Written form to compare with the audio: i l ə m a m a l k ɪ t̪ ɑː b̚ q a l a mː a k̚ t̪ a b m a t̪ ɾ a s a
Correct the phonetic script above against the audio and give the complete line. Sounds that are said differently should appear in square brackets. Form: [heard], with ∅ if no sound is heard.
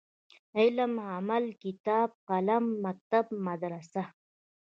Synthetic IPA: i l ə m a m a l k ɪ t̪ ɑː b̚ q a l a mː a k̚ t̪ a b m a [d̪] ɾ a s a